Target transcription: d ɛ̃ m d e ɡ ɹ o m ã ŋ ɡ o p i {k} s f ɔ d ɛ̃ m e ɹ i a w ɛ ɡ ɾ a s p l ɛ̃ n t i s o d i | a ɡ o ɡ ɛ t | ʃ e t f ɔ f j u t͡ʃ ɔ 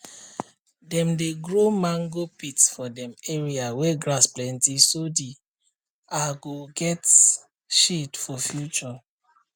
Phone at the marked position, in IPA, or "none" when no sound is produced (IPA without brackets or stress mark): t